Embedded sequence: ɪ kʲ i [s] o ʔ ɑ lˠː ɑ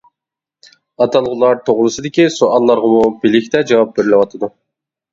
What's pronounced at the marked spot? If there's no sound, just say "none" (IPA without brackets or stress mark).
s